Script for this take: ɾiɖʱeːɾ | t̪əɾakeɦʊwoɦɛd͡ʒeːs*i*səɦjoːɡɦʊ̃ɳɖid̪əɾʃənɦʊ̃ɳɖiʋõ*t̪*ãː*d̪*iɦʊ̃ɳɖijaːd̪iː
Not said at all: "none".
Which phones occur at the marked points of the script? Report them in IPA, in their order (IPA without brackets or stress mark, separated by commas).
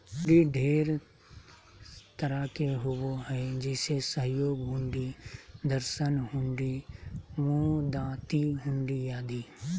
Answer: e, d̪, t̪